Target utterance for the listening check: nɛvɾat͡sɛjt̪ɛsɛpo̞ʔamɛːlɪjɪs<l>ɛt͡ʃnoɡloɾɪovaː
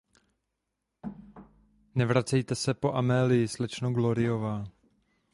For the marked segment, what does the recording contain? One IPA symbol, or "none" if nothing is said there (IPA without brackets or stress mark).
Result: l